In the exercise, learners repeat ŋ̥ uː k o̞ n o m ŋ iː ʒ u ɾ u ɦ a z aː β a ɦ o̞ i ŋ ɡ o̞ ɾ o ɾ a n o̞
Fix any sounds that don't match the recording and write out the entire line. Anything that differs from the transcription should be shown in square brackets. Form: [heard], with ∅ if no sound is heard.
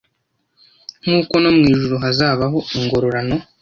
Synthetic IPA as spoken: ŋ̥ uː k o̞ n o m ŋ iː ʒ u ɾ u ɦ a z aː β a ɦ o̞ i ŋ ɡ o̞ ɾ o ɾ a n o̞